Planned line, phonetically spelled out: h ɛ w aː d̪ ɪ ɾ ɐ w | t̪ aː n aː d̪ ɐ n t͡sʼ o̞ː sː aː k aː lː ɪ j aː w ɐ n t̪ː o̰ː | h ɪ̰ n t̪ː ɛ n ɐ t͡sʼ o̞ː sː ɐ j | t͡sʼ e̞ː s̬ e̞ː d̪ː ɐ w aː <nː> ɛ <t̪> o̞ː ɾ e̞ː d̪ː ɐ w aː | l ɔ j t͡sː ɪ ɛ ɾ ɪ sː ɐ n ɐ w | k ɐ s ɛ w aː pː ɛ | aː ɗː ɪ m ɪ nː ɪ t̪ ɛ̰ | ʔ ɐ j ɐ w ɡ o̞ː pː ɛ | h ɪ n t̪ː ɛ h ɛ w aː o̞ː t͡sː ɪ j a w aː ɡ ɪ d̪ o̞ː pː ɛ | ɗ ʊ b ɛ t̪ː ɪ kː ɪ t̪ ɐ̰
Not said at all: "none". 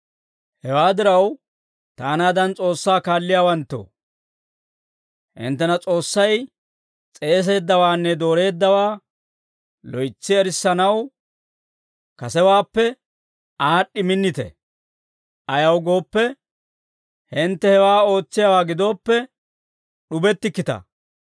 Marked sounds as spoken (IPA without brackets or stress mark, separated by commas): nː, d̪